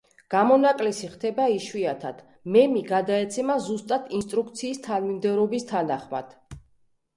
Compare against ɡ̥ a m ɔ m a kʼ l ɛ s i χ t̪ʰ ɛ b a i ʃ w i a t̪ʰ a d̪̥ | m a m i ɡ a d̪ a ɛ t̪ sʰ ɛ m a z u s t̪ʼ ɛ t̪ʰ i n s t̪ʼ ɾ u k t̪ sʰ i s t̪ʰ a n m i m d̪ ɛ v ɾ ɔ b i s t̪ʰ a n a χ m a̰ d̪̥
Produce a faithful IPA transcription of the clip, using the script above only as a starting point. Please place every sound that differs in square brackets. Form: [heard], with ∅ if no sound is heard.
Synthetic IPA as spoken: ɡ̥ a m ɔ [n] a kʼ l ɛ s i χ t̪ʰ ɛ b a i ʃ w i a t̪ʰ a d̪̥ | m [ɛ] m i ɡ a d̪ a ɛ t̪ sʰ ɛ m a z u s t̪ʼ [a] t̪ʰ i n s t̪ʼ ɾ u k t̪ sʰ [iː] s t̪ʰ a n m i m d̪ ɛ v ɾ ɔ b i s t̪ʰ a n a χ m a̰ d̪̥

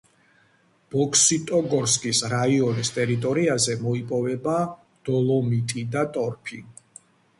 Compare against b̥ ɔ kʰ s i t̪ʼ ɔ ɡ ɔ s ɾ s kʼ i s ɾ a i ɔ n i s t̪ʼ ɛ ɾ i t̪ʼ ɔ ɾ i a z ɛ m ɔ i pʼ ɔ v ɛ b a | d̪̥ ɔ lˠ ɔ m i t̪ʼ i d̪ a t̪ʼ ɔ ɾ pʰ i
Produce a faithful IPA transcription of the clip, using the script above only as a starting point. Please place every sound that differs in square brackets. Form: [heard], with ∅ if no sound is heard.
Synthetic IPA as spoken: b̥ ɔ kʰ s i t̪ʼ ɔ ɡ ɔ [∅] ɾ s kʼ i s ɾ a i ɔ n i s t̪ʼ ɛ ɾ i t̪ʼ ɔ ɾ i a z ɛ m ɔ i pʼ ɔ v ɛ b a | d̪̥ ɔ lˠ ɔ m i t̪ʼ i d̪ a t̪ʼ ɔ ɾ pʰ i

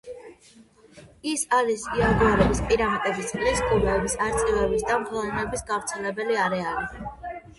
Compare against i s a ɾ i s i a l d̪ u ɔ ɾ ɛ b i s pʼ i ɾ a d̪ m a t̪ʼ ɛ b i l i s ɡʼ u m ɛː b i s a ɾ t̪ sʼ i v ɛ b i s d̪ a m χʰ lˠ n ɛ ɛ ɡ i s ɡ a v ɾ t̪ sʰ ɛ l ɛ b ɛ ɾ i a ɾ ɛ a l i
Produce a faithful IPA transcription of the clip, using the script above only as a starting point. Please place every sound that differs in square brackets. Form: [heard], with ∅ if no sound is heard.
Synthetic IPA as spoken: i s a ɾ i s i a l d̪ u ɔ ɾ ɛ b i s pʼ i ɾ a [∅] m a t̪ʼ ɛ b i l i s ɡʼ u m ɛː b i s a ɾ t̪ sʼ i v ɛ b i s d̪ a m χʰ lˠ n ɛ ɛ [b] i s ɡ a v ɾ t̪ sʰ ɛ l ɛ b ɛ [l] i a ɾ ɛ a l i

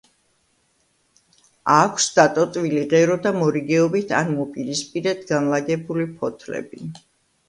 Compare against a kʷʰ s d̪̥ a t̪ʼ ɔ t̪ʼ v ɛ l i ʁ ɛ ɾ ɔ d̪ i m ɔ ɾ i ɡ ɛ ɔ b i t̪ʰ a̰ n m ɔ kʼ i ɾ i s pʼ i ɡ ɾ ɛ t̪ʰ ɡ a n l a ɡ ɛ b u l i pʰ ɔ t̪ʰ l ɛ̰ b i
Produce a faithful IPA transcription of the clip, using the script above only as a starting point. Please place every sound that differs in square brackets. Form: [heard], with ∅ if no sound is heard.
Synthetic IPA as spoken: a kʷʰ s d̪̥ a t̪ʼ ɔ t̪ʼ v [i] l i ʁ ɛ ɾ ɔ d̪ [a] m ɔ ɾ i ɡ ɛ ɔ b i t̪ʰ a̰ n m ɔ [pʼ] i ɾ i s pʼ i [∅] ɾ ɛ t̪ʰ ɡ a n l a ɡ ɛ b u l i pʰ ɔ t̪ʰ l ɛ̰ b i

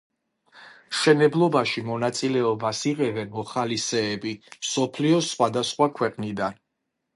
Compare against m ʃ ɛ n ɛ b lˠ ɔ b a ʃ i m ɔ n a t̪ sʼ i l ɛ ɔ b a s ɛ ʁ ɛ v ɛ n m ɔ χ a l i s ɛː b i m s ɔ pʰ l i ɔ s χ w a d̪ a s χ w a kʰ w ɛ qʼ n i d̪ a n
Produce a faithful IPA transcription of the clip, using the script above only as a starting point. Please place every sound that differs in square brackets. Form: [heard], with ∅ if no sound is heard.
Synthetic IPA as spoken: m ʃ ɛ n ɛ b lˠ ɔ b a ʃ i m ɔ n a t̪ sʼ i l ɛ ɔ b a s [i] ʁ ɛ v ɛ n m ɔ χ a l i s ɛː b i m s ɔ pʰ l i ɔ s χ w a d̪ a s χ w a kʰ w ɛ qʼ n i d̪ a n

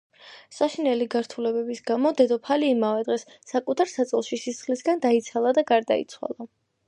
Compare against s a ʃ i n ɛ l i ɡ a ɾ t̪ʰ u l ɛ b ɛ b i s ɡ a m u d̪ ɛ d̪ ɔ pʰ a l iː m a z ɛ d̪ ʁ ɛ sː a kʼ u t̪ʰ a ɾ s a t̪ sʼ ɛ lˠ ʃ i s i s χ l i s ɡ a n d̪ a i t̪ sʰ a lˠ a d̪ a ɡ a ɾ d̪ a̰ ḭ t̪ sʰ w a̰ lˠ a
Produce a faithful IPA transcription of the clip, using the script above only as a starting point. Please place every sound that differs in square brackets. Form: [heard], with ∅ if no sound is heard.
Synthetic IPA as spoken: s a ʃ i n ɛ l i ɡ a ɾ t̪ʰ u l ɛ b ɛ b i s ɡ a m [ɔ] d̪ ɛ d̪ ɔ pʰ a l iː m a [v] ɛ d̪ ʁ ɛ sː a kʼ u t̪ʰ a ɾ s a t̪ sʼ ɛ lˠ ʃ i s i s χ l i s ɡ a n d̪ a i t̪ sʰ a lˠ a d̪ a ɡ a ɾ d̪ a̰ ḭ t̪ sʰ w a̰ lˠ a

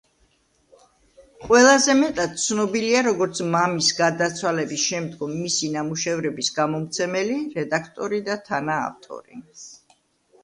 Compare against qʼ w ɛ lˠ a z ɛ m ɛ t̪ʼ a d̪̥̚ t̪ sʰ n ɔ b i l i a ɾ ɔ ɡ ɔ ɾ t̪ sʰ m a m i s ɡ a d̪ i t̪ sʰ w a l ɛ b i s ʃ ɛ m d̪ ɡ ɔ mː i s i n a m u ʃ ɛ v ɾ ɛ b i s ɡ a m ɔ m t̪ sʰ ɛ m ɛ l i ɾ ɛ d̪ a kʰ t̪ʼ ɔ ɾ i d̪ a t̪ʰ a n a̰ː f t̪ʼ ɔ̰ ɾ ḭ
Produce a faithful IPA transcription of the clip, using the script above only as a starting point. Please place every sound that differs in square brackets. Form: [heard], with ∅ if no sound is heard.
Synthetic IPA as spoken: qʼ w ɛ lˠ a z ɛ m ɛ t̪ʼ a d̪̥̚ t̪ sʰ n ɔ b i l i a ɾ ɔ ɡ ɔ ɾ t̪ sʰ m a m i s ɡ a d̪ [a] t̪ sʰ w a l ɛ b i s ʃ ɛ m d̪ ɡ ɔ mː i s i n a m u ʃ ɛ v ɾ ɛ b i s ɡ a m ɔ m t̪ sʰ ɛ m ɛ l i ɾ ɛ d̪ a kʰ t̪ʼ ɔ ɾ i d̪ a t̪ʰ a n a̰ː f t̪ʼ ɔ̰ ɾ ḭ

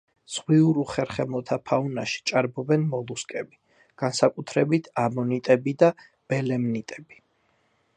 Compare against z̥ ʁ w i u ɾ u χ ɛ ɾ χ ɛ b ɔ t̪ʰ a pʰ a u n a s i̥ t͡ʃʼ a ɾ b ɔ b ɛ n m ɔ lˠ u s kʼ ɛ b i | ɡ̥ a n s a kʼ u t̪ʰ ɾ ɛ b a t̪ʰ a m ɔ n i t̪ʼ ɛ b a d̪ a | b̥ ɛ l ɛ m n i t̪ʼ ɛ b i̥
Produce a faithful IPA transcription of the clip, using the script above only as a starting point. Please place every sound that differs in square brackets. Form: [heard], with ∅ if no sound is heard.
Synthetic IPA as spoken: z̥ ʁ w i u ɾ u χ ɛ ɾ χ ɛ [m] ɔ t̪ʰ a pʰ a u n a [ʃ] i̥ t͡ʃʼ a ɾ b ɔ b ɛ n m ɔ lˠ u s kʼ ɛ b i | ɡ̥ a n s a kʼ u t̪ʰ ɾ ɛ b [i] t̪ʰ a m ɔ n i t̪ʼ ɛ b [i] d̪ a | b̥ ɛ l ɛ m n i t̪ʼ ɛ b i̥

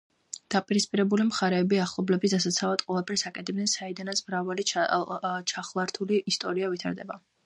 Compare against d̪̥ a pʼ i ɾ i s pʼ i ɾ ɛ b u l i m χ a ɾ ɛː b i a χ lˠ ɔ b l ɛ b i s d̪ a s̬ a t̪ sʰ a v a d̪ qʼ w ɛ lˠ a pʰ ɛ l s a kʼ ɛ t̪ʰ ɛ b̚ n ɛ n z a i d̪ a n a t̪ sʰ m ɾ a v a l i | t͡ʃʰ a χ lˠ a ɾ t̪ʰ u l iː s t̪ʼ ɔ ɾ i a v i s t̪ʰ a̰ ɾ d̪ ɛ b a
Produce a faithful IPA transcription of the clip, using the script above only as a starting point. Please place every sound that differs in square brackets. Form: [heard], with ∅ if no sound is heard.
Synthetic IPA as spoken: d̪̥ a pʼ i ɾ i s pʼ i ɾ ɛ b u l i m χ a ɾ ɛː b i a χ lˠ ɔ b l ɛ b i s d̪ a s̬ a t̪ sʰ a v a d̪ qʼ w ɛ lˠ a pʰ ɛ [ɾ] s a kʼ ɛ t̪ʰ ɛ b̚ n ɛ n [s] a i d̪ a n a t̪ sʰ m ɾ a v a l i | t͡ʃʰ a χ lˠ a ɾ t̪ʰ u l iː s t̪ʼ ɔ ɾ i a v i [∅] t̪ʰ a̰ ɾ d̪ ɛ b a

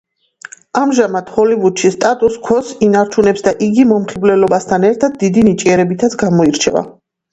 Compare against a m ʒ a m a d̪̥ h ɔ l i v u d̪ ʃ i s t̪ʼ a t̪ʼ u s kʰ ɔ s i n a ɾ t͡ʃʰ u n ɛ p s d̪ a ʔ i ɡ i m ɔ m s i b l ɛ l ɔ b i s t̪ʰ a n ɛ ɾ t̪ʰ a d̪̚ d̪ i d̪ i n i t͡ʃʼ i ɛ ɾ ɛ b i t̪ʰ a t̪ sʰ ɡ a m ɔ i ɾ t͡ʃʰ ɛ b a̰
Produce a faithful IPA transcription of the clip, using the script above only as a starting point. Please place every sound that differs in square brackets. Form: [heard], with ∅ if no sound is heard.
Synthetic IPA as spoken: a m ʒ a m a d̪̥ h ɔ l i v u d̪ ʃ i s t̪ʼ a t̪ʼ u s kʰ ɔ s i n a ɾ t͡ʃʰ u n ɛ p s d̪ a ʔ i ɡ i m ɔ m [χ] i b l ɛ l ɔ b [a] s t̪ʰ a n ɛ ɾ t̪ʰ a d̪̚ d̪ i d̪ i n i t͡ʃʼ i ɛ ɾ ɛ b i t̪ʰ a t̪ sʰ ɡ a m ɔ i ɾ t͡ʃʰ ɛ [v] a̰

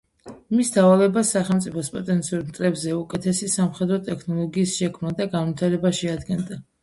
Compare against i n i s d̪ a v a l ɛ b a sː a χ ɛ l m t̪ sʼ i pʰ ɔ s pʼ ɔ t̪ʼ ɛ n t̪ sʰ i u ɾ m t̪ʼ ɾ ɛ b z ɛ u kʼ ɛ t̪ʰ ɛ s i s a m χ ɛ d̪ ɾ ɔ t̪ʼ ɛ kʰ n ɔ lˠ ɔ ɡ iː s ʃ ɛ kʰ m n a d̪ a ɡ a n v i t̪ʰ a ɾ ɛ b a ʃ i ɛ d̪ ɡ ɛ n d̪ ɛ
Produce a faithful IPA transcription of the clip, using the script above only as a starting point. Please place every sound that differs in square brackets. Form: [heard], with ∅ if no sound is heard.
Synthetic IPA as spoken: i [m] i s d̪ a v a l ɛ b a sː a χ ɛ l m t̪ sʼ i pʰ ɔ s pʼ ɔ t̪ʼ ɛ n t̪ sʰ i u ɾ m t̪ʼ ɾ ɛ b z ɛ u kʼ ɛ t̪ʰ ɛ s i s a m χ ɛ d̪ ɾ ɔ t̪ʼ ɛ kʰ n ɔ lˠ ɔ ɡ iː s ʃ ɛ kʰ m n a d̪ a ɡ a n v i t̪ʰ a ɾ ɛ b a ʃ i [a] d̪ ɡ ɛ n d̪ [a]

